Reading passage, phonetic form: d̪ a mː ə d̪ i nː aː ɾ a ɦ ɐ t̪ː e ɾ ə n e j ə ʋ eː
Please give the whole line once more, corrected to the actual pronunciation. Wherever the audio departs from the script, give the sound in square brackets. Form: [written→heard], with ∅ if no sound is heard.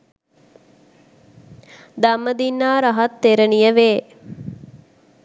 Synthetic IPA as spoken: d̪ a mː ə d̪ i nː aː ɾ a ɦ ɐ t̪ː e ɾ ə n [e→i] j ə ʋ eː